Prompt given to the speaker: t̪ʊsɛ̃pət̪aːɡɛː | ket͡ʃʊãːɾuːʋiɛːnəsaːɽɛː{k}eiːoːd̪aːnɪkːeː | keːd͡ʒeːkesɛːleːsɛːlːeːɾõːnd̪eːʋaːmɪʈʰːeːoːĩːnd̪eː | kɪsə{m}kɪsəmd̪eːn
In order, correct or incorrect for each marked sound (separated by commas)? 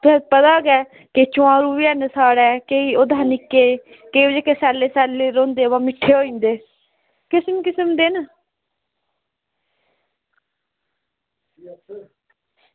correct, correct